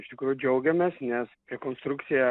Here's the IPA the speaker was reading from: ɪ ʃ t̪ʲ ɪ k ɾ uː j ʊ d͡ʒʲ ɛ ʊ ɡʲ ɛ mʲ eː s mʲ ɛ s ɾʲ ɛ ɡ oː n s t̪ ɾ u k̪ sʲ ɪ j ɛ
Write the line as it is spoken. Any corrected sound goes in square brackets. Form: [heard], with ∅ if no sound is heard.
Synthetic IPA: ɪ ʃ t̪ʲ ɪ k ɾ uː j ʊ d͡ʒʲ ɛ ʊ ɡʲ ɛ mʲ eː s [nʲ] ɛ s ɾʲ ɛ [k] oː n s t̪ ɾ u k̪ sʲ ɪ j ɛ